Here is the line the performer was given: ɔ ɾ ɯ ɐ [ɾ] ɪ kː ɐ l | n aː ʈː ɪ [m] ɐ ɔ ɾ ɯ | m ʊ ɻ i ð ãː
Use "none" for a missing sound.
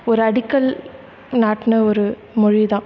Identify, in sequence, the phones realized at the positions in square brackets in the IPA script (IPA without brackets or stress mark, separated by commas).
ɽ, n